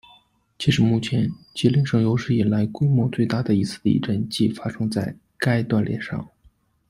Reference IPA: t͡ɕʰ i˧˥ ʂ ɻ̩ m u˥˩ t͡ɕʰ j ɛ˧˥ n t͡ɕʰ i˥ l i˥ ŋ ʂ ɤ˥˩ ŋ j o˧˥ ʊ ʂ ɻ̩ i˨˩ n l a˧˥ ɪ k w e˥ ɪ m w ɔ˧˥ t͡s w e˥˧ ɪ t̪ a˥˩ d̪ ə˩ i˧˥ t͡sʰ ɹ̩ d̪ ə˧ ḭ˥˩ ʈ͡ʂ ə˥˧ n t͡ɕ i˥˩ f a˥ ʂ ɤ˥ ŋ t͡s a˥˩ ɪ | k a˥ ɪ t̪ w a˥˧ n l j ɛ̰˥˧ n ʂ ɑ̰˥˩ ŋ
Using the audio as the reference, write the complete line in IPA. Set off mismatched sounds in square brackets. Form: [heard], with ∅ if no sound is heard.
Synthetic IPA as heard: t͡ɕʰ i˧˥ ʂ ɻ̩ m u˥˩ t͡ɕʰ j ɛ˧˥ n [t͡ɕ] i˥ l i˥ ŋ ʂ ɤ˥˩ ŋ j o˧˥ ʊ ʂ ɻ̩ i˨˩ n l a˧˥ ɪ k w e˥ ɪ m w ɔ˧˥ t͡s w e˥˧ ɪ t̪ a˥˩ d̪ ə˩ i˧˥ t͡sʰ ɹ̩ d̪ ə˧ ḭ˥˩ ʈ͡ʂ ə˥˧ n t͡ɕ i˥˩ f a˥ ʂ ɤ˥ ŋ t͡s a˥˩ ɪ | k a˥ ɪ t̪ w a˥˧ n l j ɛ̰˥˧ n ʂ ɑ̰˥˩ ŋ

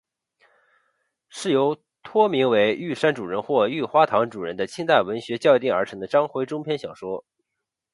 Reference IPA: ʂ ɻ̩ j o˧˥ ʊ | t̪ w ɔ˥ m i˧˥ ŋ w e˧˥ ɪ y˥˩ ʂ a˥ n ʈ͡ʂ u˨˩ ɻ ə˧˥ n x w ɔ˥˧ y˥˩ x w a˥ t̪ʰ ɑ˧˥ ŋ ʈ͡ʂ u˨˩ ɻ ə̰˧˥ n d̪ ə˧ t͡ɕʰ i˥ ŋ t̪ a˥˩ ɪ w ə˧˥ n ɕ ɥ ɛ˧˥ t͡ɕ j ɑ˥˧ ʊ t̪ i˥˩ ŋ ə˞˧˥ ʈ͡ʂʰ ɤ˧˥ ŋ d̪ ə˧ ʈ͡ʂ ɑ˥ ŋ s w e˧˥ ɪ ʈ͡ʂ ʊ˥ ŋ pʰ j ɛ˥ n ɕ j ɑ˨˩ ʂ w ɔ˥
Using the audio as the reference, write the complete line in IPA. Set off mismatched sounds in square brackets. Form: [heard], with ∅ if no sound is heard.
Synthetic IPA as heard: ʂ ɻ̩ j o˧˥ ʊ | [t̪ʰ] w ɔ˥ m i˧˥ ŋ w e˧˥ ɪ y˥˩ ʂ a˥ n ʈ͡ʂ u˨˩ ɻ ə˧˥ n x w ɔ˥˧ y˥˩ x w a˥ t̪ʰ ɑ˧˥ ŋ ʈ͡ʂ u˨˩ ɻ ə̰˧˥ n d̪ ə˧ t͡ɕʰ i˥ ŋ t̪ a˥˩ ɪ w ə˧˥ n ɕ ɥ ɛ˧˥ t͡ɕ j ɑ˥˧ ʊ t̪ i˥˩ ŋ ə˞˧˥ ʈ͡ʂʰ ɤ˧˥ ŋ d̪ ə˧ ʈ͡ʂ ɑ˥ ŋ [x] w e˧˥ ɪ ʈ͡ʂ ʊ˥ ŋ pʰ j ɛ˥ n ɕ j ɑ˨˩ ʂ w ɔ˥

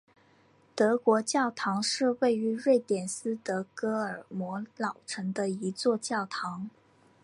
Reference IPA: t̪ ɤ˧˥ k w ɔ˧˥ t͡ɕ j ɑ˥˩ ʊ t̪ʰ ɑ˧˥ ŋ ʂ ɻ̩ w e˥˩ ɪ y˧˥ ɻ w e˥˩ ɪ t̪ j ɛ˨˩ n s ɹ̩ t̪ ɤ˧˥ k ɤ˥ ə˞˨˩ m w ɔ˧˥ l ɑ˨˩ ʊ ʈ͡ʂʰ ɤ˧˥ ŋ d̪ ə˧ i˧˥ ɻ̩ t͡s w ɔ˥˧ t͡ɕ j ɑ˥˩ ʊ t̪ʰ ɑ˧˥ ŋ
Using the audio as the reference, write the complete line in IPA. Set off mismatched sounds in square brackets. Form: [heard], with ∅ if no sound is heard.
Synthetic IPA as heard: t̪ ɤ˧˥ k w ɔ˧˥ t͡ɕ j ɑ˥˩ ʊ t̪ʰ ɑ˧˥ ŋ ʂ ɻ̩ w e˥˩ ɪ y˧˥ ɻ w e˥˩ ɪ t̪ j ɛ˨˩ n s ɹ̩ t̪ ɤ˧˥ k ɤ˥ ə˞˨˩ m w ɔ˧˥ l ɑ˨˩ ʊ ʈ͡ʂʰ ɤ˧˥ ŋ d̪ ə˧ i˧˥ [∅] t͡s w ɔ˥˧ t͡ɕ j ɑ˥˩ ʊ t̪ʰ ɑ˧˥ ŋ

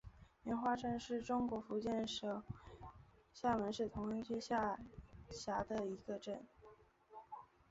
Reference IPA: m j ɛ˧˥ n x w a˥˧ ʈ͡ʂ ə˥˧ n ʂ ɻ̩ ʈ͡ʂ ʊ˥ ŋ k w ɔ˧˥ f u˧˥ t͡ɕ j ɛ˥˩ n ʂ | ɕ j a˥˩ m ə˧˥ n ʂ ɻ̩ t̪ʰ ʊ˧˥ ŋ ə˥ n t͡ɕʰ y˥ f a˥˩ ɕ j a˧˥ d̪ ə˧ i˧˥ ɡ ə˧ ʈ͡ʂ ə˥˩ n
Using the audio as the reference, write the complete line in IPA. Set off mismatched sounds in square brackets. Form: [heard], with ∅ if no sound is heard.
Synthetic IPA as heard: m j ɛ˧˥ n x w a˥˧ ʈ͡ʂ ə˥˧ n ʂ ɻ̩ ʈ͡ʂ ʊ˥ ŋ k w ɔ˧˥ f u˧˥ t͡ɕ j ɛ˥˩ n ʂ | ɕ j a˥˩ m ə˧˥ n ʂ ɻ̩ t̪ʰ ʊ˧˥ ŋ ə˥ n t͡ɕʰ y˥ [ɕ] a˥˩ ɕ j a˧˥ d̪ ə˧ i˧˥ ɡ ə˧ ʈ͡ʂ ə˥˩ n

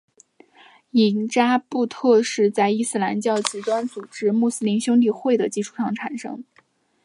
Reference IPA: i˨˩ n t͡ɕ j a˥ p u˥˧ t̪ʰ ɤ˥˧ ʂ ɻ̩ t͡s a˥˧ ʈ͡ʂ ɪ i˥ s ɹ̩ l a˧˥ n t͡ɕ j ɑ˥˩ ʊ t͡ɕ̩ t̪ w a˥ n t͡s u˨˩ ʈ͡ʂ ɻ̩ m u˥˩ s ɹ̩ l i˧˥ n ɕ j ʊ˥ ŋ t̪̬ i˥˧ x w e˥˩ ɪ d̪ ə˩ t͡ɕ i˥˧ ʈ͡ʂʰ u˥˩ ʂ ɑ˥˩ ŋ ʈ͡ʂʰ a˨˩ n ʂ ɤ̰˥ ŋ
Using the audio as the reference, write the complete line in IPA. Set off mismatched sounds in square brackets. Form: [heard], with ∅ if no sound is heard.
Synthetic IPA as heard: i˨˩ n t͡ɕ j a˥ p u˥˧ t̪ʰ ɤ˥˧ ʂ ɻ̩ t͡s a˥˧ [∅] ɪ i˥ s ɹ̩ l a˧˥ n t͡ɕ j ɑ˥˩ ʊ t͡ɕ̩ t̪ w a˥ n t͡s u˨˩ ʈ͡ʂ ɻ̩ m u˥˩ s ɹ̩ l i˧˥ n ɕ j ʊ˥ ŋ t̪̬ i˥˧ x w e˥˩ ɪ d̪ ə˩ t͡ɕ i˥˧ ʈ͡ʂʰ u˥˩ ʂ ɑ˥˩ ŋ ʈ͡ʂʰ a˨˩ n ʂ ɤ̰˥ ŋ

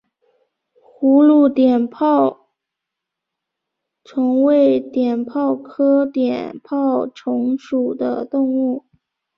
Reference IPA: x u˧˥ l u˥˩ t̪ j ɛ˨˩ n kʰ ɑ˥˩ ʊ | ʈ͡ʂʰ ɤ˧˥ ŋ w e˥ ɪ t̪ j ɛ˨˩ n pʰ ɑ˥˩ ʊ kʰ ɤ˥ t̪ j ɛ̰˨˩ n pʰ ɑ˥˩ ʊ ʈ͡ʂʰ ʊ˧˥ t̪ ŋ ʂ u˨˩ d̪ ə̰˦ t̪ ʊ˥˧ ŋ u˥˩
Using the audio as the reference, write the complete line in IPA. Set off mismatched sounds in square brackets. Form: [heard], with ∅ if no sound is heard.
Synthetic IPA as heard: x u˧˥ l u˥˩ t̪ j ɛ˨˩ n [pʰ] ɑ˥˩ ʊ | ʈ͡ʂʰ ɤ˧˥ ŋ w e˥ ɪ t̪ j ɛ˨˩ n pʰ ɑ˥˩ ʊ kʰ ɤ˥ t̪ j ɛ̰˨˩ n pʰ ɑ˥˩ ʊ ʈ͡ʂʰ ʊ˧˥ [∅] ŋ ʂ u˨˩ d̪ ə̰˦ t̪ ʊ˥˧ ŋ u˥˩

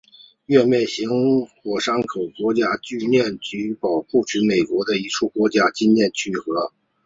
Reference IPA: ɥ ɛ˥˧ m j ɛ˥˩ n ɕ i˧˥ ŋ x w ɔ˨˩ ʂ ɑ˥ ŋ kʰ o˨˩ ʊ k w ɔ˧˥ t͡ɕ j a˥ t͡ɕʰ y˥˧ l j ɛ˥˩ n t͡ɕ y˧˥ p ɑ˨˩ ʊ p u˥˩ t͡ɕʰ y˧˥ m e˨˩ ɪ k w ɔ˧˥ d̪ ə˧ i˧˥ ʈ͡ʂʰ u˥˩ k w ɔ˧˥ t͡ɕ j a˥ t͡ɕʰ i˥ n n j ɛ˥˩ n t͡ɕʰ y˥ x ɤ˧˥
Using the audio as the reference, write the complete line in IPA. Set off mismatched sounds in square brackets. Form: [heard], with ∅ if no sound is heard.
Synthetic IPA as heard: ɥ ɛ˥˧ m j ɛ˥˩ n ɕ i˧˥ ŋ x w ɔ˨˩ ʂ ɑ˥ ŋ kʰ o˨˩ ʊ k w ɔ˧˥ t͡ɕ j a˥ [t͡ɕ] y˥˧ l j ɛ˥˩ n t͡ɕ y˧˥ p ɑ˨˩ ʊ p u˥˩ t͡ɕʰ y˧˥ m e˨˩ ɪ k w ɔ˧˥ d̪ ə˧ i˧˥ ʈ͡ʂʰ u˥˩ k w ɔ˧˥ t͡ɕ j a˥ [t͡ɕ] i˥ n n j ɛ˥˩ n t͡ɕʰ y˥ x ɤ˧˥

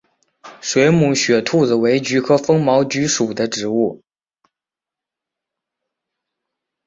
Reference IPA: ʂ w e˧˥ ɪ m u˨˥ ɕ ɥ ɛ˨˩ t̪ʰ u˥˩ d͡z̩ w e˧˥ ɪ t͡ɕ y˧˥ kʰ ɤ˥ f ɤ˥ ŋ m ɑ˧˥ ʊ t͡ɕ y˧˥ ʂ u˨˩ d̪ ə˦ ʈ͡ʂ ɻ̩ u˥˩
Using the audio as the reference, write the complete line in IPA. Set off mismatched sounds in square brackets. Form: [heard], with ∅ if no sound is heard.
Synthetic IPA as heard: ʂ w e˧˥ ɪ m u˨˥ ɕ ɥ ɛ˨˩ t̪ʰ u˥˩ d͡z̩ w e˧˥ ɪ t͡ɕ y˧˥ kʰ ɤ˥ f ɤ˥ ŋ m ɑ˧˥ ʊ t͡ɕ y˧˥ ʂ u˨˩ d̪ ə˦ ʈ͡ʂ ɻ̩ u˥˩

